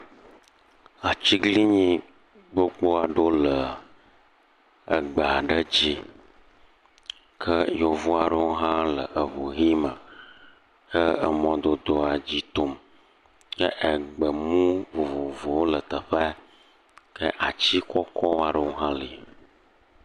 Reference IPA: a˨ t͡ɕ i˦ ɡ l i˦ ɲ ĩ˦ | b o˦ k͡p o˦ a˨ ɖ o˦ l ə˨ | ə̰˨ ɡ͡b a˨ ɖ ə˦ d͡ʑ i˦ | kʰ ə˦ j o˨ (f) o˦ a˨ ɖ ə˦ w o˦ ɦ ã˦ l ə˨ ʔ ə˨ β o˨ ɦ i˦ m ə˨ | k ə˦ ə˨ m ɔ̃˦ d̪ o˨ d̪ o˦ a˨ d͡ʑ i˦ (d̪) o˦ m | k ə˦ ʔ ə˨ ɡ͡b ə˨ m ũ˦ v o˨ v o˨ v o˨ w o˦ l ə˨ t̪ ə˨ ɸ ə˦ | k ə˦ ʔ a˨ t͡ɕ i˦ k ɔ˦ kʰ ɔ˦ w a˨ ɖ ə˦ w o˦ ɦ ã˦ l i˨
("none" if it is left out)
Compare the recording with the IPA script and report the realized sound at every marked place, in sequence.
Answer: v, t̪

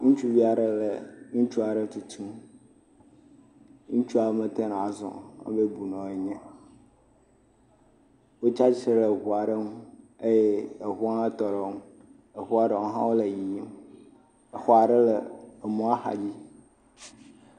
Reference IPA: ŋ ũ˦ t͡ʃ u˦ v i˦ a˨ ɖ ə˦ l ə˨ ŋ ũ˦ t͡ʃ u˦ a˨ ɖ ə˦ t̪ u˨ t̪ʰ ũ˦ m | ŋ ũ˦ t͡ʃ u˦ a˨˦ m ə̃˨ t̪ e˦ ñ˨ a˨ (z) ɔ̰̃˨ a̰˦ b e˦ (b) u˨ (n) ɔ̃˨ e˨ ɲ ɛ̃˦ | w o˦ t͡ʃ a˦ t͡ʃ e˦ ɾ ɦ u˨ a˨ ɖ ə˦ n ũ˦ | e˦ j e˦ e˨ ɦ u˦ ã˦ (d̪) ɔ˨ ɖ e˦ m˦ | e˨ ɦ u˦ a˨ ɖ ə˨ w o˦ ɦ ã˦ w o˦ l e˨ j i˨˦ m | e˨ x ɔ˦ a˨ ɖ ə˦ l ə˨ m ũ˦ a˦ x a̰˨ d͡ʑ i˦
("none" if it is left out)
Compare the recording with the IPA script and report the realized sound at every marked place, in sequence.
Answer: z, b, n, t̪

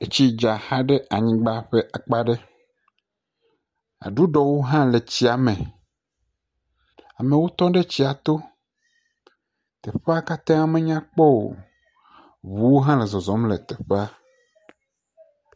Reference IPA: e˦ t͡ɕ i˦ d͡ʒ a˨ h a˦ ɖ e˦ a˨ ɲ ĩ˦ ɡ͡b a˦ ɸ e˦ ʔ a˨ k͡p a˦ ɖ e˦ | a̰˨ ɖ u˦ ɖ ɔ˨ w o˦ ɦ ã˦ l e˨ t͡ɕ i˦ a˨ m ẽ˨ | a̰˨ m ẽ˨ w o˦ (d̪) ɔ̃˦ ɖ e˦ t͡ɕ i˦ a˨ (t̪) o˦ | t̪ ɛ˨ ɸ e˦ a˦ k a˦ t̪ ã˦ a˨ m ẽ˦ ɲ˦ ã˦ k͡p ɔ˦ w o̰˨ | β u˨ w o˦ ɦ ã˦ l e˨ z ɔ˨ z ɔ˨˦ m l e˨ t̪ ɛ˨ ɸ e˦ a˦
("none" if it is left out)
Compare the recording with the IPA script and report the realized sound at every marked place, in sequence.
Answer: t̪, t̪

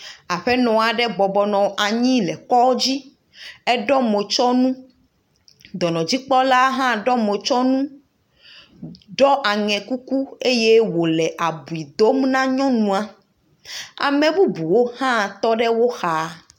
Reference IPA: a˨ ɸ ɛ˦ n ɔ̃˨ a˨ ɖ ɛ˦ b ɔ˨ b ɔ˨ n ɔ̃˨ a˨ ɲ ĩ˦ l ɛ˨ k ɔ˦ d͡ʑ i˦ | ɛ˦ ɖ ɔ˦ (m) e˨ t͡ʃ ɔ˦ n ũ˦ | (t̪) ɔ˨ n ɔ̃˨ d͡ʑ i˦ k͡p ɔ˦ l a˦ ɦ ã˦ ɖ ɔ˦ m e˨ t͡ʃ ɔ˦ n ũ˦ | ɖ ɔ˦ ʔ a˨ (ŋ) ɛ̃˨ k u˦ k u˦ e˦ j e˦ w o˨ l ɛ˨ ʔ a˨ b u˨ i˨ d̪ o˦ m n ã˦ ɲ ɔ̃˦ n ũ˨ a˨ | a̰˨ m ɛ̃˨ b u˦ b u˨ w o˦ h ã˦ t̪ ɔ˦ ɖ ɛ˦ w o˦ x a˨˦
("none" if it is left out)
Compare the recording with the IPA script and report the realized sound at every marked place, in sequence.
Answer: m, d̪, ŋ

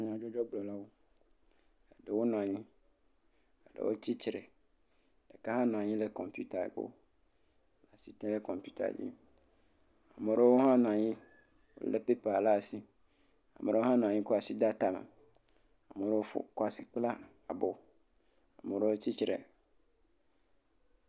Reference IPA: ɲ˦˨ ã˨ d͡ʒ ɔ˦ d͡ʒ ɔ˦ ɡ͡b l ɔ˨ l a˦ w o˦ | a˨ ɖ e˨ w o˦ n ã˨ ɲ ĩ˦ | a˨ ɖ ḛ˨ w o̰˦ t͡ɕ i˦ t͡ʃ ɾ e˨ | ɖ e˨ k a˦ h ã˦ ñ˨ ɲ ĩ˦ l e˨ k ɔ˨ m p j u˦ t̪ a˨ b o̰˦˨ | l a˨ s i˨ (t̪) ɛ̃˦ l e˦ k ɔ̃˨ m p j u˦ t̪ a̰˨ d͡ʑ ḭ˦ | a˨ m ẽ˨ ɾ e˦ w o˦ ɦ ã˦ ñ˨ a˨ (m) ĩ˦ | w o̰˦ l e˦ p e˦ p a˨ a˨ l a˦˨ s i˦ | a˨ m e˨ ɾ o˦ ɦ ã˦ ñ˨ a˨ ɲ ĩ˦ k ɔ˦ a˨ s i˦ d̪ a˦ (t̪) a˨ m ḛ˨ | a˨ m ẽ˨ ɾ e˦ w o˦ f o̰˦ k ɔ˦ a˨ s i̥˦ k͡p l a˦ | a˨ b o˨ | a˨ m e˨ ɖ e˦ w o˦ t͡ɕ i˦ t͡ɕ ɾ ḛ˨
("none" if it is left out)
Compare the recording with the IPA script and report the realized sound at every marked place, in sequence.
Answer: t̪, ɲ, t̪

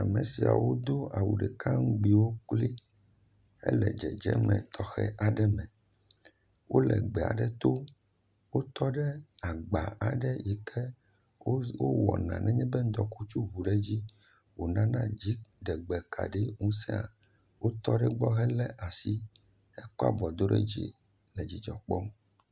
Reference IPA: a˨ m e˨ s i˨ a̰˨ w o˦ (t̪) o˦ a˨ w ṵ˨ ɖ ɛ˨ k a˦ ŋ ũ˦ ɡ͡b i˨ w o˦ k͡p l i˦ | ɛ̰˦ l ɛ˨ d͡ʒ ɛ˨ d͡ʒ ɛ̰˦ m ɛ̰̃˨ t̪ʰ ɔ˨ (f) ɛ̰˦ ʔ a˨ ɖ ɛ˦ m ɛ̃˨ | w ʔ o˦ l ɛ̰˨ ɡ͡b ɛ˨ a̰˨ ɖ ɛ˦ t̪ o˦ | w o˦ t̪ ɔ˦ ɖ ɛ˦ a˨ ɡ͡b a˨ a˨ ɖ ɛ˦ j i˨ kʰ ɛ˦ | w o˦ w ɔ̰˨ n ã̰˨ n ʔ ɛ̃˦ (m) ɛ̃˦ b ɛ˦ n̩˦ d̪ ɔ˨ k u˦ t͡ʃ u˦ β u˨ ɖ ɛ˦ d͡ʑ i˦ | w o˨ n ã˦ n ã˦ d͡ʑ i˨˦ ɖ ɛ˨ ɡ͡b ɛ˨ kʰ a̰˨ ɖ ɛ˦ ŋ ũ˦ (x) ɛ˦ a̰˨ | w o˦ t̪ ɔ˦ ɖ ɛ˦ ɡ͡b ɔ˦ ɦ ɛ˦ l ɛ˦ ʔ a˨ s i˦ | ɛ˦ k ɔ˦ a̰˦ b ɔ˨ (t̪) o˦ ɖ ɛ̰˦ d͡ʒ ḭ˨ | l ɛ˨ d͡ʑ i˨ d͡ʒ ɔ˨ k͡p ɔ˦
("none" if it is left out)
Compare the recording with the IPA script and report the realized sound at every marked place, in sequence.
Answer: d̪, x, ɲ, s, d̪

